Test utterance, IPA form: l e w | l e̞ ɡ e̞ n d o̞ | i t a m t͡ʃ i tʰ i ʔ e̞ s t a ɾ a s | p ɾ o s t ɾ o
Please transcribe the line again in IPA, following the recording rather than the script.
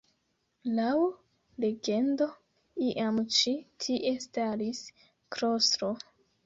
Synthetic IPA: l a w | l e̞ ɡ e̞ n d o̞ | i ʔ a m t͡ʃ i tʰ i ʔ e̞ s t a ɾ i s | k ɾ o s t ɾ o